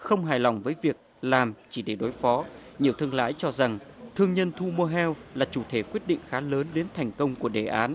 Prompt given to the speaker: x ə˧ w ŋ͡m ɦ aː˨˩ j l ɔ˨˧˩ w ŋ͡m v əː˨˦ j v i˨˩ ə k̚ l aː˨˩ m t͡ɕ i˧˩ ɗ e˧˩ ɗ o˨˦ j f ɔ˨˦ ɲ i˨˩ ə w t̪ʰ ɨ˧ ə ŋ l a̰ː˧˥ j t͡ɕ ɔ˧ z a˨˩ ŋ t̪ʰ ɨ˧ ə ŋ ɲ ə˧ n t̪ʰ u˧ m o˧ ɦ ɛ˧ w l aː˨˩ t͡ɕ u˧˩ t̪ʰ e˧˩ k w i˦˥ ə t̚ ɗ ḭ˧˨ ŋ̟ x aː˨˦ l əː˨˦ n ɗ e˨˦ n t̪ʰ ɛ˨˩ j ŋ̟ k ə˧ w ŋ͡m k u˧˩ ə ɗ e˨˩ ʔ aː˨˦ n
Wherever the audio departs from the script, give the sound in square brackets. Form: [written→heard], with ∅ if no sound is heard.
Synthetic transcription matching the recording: x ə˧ w ŋ͡m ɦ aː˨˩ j l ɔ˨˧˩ w ŋ͡m v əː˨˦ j v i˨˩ ə k̚ l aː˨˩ m t͡ɕ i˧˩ ɗ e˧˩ ɗ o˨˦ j f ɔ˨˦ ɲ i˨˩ ə w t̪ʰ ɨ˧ ə ŋ l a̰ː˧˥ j t͡ɕ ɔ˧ z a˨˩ ŋ t̪ʰ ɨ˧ ə ŋ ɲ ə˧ n t̪ʰ u˧ m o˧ ɦ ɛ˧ w l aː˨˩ t͡ɕ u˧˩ t̪ʰ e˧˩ k w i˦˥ ə t̚ ɗ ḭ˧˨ ŋ̟ x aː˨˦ l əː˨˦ n ɗ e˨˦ n t̪ʰ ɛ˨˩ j ŋ̟ k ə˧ w ŋ͡m k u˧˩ ə ɗ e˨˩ ʔ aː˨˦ n

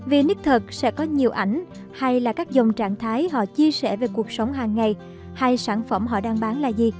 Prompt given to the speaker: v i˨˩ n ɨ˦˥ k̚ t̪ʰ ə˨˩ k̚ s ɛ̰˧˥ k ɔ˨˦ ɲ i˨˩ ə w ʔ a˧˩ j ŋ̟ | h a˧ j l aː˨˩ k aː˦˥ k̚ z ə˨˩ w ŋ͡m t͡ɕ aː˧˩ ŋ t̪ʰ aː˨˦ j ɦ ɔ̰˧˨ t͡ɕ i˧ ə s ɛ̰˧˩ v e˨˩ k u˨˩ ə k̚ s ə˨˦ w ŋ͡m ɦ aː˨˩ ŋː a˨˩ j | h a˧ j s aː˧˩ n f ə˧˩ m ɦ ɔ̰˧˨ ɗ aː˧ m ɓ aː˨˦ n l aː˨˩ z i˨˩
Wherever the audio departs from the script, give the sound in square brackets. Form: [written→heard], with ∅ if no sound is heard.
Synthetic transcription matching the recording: v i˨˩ n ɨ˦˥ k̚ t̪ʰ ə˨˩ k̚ s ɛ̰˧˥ k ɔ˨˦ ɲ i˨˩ ə w ʔ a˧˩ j ŋ̟ | h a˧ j l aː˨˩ k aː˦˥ k̚ z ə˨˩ w ŋ͡m t͡ɕ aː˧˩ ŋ t̪ʰ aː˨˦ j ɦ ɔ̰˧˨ t͡ɕ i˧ ə s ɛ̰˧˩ v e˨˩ k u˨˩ ə k̚ s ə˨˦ w ŋ͡m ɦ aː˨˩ ŋː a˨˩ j | h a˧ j s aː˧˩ n f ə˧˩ m ɦ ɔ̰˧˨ ɗ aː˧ [m→ŋ] ɓ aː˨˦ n l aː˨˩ z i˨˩

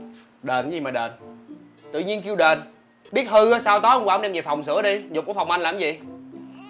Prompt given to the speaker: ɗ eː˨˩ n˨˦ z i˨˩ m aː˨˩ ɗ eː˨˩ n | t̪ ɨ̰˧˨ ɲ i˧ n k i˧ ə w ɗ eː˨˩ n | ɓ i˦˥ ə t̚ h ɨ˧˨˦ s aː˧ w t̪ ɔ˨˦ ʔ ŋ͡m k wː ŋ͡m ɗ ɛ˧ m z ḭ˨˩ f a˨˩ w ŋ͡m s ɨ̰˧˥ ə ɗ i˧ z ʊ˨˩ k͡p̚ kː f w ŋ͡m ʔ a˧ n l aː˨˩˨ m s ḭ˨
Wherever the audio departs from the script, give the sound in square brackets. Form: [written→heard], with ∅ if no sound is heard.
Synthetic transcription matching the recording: ɗ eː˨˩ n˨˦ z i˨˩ m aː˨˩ ɗ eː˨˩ n | t̪ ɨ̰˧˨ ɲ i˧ n k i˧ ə w ɗ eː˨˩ n | ɓ i˦˥ ə t̚ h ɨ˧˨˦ s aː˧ w t̪ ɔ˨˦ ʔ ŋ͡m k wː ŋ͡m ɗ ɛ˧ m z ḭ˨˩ f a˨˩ w ŋ͡m s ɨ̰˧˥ ə ɗ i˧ z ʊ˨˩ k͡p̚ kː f w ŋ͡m ʔ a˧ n l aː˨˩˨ m [s→z] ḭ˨

